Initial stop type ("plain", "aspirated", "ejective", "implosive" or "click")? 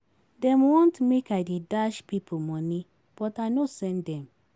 plain